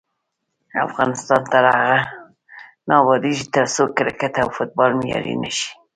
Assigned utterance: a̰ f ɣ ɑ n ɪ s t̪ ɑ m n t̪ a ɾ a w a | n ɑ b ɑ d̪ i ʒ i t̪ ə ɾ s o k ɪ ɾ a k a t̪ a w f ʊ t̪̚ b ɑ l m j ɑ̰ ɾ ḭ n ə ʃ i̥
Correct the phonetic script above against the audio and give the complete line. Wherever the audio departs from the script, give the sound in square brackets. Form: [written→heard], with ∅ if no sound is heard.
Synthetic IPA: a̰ f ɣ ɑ n ɪ s t̪ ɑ [m→∅] n t̪ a ɾ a [w→ɣ] a | n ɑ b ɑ d̪ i ʒ i t̪ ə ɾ s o k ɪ ɾ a k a t̪ a w f ʊ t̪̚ b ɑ l m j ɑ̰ ɾ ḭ n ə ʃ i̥

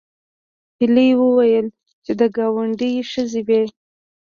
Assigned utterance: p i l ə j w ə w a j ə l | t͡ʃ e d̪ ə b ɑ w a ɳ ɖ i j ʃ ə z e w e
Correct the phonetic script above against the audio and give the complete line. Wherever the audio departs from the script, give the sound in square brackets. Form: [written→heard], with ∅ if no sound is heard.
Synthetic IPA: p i l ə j w ə w a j ə l | t͡ʃ e d̪ ə [b→ɡ] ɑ w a ɳ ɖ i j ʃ ə z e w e

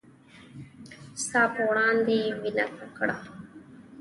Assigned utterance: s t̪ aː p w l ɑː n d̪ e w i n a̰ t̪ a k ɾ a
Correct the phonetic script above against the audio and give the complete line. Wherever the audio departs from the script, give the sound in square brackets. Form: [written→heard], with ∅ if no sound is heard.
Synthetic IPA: s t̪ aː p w [l→ɽ] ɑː n d̪ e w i n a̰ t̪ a k [ɾ→ɽ] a

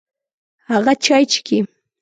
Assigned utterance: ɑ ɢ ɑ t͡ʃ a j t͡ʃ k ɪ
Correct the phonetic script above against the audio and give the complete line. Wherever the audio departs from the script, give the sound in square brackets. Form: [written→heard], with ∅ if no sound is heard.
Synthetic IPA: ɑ ɢ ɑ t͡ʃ a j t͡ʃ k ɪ

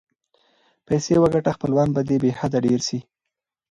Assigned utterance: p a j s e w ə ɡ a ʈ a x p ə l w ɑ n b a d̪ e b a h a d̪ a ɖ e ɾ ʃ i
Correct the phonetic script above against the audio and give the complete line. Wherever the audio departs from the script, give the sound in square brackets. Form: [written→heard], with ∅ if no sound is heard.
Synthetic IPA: p a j s e w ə ɡ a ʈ a x p ə l w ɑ n b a d̪ e b [a→e] h a d̪ a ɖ e ɾ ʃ i

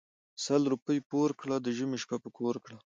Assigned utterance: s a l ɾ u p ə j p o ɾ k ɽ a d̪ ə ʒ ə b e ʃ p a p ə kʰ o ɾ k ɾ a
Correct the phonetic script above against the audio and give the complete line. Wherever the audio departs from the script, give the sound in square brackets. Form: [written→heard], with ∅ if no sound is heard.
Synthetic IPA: s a l ɾ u p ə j p o ɾ k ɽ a d̪ ə ʒ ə [b→m] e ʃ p a p ə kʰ o ɾ k [ɾ→ɽ] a

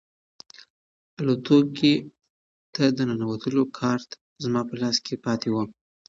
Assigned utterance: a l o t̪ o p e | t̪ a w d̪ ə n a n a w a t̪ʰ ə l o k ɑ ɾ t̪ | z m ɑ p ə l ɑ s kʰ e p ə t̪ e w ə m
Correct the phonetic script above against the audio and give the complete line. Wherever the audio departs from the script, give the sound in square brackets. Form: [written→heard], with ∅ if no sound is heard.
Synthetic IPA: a l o t̪ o [p→k] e | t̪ a [w→∅] d̪ ə n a n a w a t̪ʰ ə l o [k→kʰ] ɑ ɾ t̪ | z m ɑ p ə l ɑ s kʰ e p [ə→ɑ] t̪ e w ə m

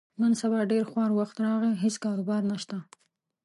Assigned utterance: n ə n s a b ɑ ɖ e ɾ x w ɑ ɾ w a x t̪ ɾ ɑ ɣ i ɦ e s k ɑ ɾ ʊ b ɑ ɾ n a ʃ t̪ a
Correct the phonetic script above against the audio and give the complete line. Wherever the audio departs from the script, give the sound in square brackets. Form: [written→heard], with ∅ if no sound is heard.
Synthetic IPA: n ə n s a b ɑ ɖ e ɾ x w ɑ ɾ w a x t̪ ɾ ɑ ɣ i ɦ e s k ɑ ɾ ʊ b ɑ ɾ n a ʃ t̪ a

